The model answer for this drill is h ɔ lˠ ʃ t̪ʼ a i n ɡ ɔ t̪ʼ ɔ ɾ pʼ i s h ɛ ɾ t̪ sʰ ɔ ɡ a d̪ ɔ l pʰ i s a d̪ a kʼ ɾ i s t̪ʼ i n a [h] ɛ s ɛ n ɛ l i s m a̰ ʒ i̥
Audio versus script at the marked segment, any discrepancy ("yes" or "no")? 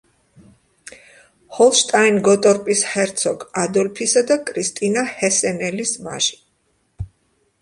no